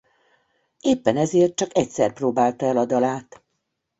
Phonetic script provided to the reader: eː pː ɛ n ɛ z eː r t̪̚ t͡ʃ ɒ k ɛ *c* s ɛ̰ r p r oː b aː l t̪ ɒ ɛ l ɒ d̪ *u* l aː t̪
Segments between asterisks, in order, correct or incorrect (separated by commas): correct, incorrect